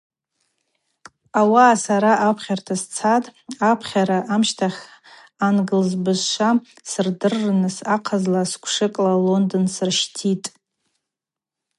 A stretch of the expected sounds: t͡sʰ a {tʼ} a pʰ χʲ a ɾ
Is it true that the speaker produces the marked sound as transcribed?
yes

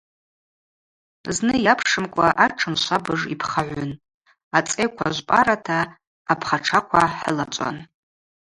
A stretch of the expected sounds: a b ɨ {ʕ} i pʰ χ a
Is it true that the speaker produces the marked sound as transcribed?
no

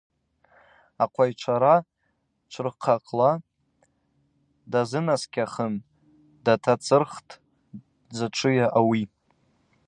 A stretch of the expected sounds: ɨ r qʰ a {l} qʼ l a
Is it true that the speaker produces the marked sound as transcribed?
no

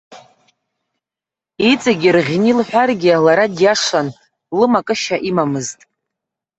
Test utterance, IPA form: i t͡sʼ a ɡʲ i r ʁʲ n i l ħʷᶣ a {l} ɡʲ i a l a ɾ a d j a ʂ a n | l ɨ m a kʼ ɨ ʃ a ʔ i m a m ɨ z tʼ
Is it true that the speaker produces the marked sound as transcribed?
no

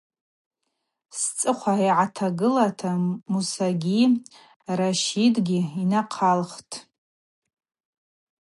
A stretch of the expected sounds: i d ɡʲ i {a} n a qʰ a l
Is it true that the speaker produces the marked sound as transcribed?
no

